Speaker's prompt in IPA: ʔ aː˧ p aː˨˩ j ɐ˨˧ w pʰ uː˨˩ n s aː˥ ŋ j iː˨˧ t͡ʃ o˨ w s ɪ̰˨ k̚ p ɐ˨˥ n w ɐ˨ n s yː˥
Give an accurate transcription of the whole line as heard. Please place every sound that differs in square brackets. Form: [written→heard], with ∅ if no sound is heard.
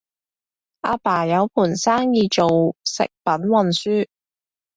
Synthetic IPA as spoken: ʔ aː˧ p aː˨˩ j ɐ˨˧ w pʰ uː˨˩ n s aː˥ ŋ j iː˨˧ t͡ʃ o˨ w s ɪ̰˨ k̚ p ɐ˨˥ n w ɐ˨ n s yː˥

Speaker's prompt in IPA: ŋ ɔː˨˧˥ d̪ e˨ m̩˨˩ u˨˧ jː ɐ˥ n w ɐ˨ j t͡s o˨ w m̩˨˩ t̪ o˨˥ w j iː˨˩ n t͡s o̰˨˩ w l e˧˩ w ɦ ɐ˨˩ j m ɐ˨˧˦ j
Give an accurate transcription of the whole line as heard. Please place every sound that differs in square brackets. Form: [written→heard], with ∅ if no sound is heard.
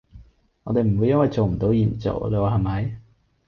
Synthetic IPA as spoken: ŋ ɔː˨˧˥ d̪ e˨ m̩˨˩ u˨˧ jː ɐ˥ n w ɐ˨ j t͡s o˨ w m̩˨˩ t̪ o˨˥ w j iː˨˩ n t͡s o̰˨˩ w l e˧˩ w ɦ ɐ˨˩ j m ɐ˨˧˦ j

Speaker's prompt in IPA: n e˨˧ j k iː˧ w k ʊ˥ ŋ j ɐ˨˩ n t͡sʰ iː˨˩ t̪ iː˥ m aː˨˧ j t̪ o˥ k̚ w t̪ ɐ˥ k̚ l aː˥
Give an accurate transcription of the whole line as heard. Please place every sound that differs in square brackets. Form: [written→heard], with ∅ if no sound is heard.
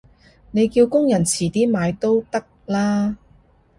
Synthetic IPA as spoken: n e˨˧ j k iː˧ w k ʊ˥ ŋ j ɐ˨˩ n t͡sʰ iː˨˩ t̪ iː˥ m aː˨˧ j t̪ o˥ [k̚→∅] w t̪ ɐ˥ k̚ l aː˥

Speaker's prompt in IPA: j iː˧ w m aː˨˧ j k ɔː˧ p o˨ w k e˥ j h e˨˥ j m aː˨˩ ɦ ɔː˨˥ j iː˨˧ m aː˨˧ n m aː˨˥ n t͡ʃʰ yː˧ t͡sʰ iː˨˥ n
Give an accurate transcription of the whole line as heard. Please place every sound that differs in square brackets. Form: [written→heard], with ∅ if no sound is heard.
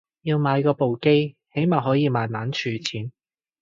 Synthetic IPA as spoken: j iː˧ w m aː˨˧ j k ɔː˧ p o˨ w k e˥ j h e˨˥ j m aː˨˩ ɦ ɔː˨˥ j iː˨˧ m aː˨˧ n m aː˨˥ n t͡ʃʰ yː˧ t͡sʰ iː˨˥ n

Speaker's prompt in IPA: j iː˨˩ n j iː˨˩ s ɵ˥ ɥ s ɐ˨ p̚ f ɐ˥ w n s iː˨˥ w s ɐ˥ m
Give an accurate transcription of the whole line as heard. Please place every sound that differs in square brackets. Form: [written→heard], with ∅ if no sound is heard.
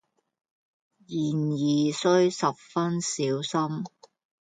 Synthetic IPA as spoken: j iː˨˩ n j iː˨˩ s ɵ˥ ɥ s ɐ˨ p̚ f ɐ˥ [w→∅] n s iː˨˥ w s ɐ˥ m

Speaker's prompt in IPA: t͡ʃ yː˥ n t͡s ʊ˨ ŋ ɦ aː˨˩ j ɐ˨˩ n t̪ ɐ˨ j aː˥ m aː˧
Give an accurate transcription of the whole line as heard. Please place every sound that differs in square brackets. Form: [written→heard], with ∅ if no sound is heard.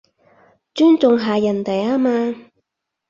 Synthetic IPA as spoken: t͡ʃ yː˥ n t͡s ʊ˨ ŋ ɦ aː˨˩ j ɐ˨˩ n t̪ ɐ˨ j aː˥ m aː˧

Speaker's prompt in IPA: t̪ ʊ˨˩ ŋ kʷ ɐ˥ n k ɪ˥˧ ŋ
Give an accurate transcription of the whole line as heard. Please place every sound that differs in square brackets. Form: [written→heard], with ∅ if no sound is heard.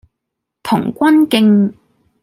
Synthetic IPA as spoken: [t̪→t̪ʰ] ʊ˨˩ ŋ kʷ ɐ˥ n k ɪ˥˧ ŋ

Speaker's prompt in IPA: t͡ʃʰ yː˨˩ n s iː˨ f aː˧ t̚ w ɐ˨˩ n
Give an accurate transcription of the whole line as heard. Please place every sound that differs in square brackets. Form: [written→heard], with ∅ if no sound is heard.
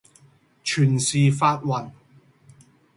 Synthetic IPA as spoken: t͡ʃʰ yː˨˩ n s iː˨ f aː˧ t̚ w ɐ˨˩ n

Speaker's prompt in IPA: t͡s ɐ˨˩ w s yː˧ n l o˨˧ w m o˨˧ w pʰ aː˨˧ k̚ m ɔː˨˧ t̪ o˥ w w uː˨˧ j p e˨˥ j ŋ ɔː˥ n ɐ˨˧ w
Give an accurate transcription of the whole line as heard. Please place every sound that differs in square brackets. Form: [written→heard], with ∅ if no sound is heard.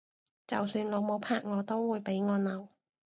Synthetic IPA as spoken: t͡s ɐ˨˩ w s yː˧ n l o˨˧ w m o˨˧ w pʰ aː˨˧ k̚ [m→ŋ] ɔː˨˧ t̪ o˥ w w uː˨˧ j p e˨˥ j ŋ [ɔː˥→ɔː˨˧] n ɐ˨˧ w

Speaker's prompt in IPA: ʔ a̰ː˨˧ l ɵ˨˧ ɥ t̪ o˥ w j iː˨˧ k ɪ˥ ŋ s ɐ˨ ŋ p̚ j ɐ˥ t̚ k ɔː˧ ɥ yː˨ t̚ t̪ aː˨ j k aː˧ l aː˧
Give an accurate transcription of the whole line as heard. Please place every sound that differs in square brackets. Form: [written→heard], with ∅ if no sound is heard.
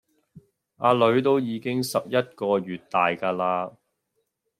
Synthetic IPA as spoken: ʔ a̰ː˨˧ l ɵ˨˧ ɥ t̪ o˥ w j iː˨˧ k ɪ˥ ŋ s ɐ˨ [ŋ→∅] p̚ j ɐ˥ t̚ k ɔː˧ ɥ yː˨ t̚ t̪ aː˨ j k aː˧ l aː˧

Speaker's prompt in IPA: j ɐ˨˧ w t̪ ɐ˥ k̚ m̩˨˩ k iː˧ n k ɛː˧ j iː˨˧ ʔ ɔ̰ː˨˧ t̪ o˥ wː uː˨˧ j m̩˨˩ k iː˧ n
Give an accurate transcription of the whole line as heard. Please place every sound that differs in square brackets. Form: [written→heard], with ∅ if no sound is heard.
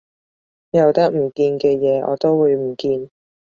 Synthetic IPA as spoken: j ɐ˨˧ w t̪ ɐ˥ k̚ m̩˨˩ k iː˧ n k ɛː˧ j [iː˨˧→ɛː˨˧] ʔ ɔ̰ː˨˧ t̪ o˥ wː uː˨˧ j m̩˨˩ k iː˧ n

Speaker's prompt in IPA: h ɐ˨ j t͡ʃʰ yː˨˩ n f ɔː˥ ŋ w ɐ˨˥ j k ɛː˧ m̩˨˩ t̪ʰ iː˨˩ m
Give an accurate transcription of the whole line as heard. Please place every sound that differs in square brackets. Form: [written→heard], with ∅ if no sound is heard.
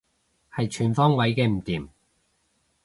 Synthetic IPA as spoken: h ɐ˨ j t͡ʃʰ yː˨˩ n f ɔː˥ ŋ w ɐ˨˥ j k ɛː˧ m̩˨˩ [t̪ʰ→t̪] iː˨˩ m

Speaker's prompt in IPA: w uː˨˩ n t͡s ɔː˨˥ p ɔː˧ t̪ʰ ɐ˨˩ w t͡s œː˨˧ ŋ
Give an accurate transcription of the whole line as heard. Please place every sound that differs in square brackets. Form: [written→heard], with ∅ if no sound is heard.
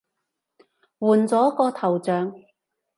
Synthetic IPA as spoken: w uː˨˩ n t͡s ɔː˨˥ [p→k] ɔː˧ t̪ʰ ɐ˨˩ w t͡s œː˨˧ ŋ

